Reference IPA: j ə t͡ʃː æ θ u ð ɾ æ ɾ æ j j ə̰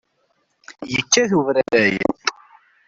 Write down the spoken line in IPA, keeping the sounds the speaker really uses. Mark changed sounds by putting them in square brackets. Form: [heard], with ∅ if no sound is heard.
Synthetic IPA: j ə t͡ʃː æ θ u [v] ɾ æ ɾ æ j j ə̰